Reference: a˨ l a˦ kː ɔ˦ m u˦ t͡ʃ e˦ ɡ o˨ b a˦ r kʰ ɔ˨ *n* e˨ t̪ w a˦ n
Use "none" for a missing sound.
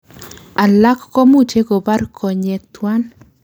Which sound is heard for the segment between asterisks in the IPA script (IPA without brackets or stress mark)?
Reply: ɲ